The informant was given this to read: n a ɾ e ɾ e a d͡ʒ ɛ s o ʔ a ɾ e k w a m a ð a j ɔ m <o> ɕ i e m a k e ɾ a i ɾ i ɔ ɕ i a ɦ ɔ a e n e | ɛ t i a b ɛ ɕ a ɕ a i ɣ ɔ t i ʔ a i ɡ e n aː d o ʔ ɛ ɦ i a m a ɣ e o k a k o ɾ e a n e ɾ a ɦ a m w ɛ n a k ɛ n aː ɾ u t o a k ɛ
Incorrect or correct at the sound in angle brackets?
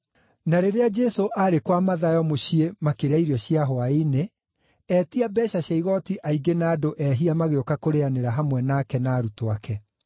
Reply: correct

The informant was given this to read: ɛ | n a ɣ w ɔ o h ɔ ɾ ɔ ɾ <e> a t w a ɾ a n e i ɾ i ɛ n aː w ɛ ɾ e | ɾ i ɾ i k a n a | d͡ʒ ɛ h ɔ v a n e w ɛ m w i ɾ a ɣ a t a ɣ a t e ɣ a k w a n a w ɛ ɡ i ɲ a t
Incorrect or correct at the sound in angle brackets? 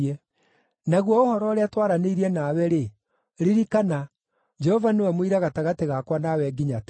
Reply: correct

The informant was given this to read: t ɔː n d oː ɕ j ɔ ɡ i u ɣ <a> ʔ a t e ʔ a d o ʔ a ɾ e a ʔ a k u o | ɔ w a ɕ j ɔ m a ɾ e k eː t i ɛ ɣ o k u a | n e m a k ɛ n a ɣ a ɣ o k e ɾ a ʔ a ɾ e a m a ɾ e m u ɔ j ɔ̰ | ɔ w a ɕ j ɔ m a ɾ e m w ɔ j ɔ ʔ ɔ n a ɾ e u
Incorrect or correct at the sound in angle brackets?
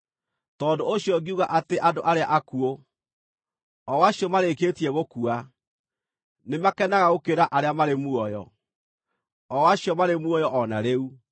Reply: correct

